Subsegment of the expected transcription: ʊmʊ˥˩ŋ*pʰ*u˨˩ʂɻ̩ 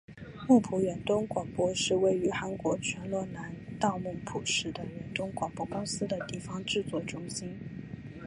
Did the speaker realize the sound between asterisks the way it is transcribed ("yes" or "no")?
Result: yes